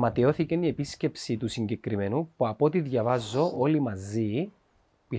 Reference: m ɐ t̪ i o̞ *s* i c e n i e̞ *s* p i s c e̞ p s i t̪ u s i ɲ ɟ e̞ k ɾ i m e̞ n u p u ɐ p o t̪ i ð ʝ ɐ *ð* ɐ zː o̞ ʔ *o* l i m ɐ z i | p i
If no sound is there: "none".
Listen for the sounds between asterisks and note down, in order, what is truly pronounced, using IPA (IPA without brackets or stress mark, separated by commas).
θ, none, v, o